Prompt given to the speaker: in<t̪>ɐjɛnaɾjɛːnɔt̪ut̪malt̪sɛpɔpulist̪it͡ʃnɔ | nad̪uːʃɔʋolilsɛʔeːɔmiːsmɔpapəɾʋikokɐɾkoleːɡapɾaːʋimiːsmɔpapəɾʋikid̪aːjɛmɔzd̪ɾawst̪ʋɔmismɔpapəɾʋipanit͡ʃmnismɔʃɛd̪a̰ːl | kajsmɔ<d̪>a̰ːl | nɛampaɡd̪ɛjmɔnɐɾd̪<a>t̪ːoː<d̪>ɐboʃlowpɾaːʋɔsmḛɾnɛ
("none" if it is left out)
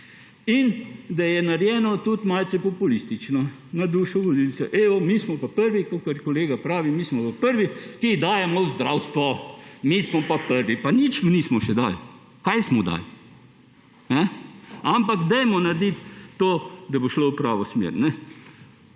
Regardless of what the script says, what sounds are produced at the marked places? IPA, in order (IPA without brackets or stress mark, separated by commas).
d̪, d̪, i, d̪